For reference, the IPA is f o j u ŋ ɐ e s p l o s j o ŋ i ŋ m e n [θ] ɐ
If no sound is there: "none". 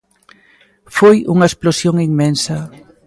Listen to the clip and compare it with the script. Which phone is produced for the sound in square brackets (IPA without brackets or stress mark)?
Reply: s